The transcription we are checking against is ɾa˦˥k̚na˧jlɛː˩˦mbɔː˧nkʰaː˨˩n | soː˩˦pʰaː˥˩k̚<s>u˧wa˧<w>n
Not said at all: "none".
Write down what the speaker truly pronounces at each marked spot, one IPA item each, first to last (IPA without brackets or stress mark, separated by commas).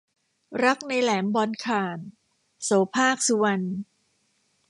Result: s, none